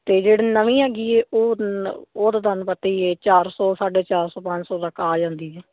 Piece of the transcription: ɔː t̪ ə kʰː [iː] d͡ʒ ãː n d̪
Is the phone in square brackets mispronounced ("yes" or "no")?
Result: yes